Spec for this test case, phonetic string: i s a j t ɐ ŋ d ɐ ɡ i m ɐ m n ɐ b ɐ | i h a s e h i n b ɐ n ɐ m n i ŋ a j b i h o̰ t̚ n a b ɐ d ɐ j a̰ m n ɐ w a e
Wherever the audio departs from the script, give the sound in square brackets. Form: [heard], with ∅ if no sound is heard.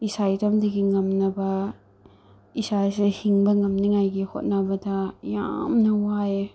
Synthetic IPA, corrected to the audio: i s a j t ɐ [m] d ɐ ɡ i [ŋ] ɐ m n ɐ b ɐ | i [s] a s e h i [ŋ] b ɐ [ŋ] ɐ m n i ŋ a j [ɡ] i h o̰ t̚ n a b ɐ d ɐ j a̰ m n ɐ w a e